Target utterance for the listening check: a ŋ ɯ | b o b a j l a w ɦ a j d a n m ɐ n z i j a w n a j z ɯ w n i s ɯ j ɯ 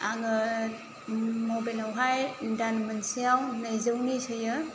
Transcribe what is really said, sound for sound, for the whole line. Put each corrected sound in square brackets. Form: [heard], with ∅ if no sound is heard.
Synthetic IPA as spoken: a ŋ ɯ | [m] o b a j l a w ɦ a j d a n m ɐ n [s] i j a w n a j z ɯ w n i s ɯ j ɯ